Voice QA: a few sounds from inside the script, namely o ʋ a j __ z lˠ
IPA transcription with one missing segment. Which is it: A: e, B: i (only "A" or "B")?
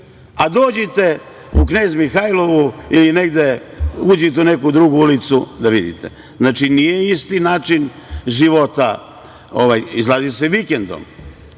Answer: B